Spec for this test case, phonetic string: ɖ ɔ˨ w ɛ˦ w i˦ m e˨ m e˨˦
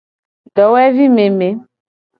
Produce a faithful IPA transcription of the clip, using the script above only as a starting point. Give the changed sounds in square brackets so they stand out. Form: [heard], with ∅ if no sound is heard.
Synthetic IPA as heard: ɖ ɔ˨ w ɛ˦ [v] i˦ m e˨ m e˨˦